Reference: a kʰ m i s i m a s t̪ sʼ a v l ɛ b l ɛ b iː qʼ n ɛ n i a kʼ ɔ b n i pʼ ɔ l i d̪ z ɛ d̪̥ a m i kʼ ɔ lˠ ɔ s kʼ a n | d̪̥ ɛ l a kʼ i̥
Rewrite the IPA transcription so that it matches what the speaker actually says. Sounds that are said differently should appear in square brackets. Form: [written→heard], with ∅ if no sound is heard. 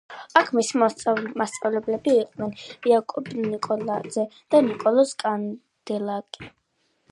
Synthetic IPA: a kʰ m i s i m a s t̪ sʼ a v l ɛ b l ɛ b iː qʼ n ɛ n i a kʼ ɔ b n i [pʼ→kʼ] ɔ l [i→a] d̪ z ɛ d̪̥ a [m→n] i kʼ ɔ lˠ ɔ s kʼ a n | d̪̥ ɛ l a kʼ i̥